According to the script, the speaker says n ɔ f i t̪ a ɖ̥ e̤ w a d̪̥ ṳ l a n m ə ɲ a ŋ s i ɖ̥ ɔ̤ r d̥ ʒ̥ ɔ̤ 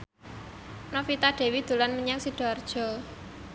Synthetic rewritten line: n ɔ f i t̪ a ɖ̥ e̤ w i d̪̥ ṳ l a n m ə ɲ a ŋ s i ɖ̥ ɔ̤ r d̥ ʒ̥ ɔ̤